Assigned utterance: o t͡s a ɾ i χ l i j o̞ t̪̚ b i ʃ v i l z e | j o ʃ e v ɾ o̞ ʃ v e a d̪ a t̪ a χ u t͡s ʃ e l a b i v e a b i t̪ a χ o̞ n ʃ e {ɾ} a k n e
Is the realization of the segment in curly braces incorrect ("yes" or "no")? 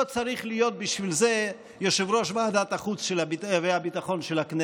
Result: yes